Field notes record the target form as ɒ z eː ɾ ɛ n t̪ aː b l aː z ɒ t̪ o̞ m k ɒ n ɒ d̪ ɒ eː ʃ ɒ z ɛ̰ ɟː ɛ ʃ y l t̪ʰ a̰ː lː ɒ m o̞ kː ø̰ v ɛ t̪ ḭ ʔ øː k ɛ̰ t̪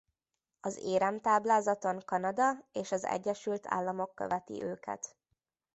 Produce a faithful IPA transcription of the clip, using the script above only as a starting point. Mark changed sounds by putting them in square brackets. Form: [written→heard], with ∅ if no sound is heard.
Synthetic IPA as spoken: ɒ z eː ɾ ɛ [n→m] t̪ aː b l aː z ɒ t̪ o̞ [m→ŋ] k ɒ n ɒ d̪ ɒ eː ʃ ɒ z ɛ̰ ɟː ɛ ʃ y l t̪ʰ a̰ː lː ɒ m o̞ kː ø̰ v ɛ t̪ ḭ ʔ øː k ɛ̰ t̪